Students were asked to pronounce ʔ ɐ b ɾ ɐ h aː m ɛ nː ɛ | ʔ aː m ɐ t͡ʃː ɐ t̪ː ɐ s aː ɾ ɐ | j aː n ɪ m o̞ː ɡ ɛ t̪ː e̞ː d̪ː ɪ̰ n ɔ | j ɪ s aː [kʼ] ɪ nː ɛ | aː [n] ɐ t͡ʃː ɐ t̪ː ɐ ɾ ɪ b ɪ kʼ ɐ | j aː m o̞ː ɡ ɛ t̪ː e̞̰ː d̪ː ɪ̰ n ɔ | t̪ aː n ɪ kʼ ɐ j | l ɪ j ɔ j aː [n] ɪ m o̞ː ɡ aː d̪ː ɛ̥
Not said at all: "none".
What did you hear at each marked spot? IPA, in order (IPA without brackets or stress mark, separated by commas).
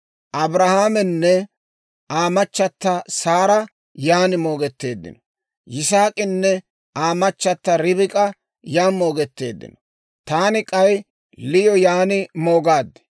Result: kʼ, m, n